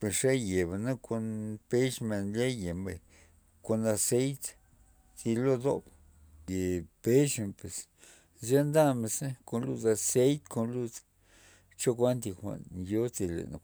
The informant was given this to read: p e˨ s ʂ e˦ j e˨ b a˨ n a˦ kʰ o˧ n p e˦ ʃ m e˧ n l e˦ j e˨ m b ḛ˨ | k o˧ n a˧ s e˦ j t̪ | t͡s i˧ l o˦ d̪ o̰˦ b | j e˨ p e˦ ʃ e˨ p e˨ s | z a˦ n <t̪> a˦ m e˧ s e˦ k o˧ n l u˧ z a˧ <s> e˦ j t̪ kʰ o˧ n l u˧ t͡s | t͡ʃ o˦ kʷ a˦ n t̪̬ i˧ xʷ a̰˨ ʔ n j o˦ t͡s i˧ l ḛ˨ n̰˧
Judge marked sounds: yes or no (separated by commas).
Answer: no, yes